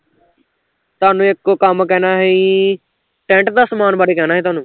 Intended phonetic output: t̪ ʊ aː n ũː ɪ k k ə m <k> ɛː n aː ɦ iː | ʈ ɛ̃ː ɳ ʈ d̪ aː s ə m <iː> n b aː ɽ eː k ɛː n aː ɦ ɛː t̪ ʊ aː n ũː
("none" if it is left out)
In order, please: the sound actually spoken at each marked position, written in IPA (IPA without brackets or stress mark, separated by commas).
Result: k, aː